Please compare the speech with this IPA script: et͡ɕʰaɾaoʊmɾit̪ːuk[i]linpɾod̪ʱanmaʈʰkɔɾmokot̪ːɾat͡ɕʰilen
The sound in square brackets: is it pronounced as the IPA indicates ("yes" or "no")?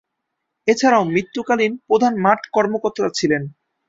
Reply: no